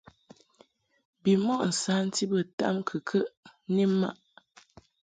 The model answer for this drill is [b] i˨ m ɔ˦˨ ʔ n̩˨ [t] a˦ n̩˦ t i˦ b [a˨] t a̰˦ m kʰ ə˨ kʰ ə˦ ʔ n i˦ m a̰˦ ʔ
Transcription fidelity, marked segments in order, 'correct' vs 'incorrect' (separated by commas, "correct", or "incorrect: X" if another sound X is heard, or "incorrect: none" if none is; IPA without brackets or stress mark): correct, incorrect: s, incorrect: ə˨